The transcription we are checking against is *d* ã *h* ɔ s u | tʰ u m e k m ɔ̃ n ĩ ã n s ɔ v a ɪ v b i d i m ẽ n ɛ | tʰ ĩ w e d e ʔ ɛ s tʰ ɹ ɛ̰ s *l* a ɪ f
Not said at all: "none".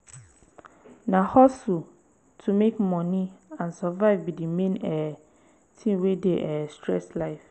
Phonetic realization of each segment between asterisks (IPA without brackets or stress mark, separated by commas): n, h, l